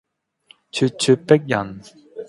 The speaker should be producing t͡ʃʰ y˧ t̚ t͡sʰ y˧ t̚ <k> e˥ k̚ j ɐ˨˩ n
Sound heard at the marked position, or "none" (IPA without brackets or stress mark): p